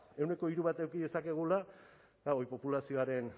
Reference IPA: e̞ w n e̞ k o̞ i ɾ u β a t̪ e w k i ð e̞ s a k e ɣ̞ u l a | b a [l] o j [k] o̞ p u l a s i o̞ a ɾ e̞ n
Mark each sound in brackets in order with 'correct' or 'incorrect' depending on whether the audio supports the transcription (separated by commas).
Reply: incorrect, incorrect